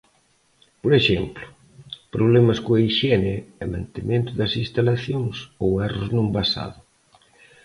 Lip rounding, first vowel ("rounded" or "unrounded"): rounded